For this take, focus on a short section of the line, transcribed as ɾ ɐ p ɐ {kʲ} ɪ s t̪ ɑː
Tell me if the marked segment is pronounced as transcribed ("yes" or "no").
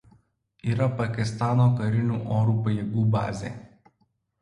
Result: yes